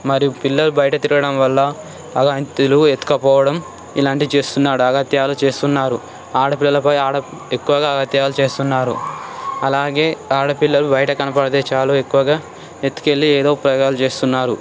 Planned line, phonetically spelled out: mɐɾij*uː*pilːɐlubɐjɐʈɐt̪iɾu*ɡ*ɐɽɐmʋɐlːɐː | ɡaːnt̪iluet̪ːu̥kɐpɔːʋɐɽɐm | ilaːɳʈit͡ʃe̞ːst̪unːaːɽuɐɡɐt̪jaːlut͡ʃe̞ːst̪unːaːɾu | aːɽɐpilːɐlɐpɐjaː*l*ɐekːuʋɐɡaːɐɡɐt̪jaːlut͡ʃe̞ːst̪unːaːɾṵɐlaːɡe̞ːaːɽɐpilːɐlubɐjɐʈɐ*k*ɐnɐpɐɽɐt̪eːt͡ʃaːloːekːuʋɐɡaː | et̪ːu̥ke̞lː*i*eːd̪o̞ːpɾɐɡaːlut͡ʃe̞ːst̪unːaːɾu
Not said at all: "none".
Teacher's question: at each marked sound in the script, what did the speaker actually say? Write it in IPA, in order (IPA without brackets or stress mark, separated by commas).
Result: u, ɡ, ɽ, k, i